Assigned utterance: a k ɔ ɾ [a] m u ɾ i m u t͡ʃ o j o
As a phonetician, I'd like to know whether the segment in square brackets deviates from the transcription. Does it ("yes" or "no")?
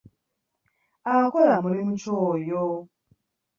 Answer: no